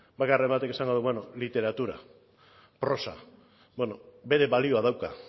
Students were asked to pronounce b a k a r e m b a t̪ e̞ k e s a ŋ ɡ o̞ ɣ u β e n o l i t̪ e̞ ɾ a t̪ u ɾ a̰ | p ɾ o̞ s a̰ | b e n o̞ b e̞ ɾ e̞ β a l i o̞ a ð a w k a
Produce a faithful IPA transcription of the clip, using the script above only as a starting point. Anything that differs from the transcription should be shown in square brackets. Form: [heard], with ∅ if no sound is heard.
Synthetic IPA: b a k a r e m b a t̪ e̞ k e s a ŋ ɡ o̞ [ð] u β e n o l i t̪ e̞ ɾ a t̪ u ɾ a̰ | p ɾ o̞ s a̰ | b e n o̞ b e̞ ɾ e̞ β a l i o̞ a ð a w k a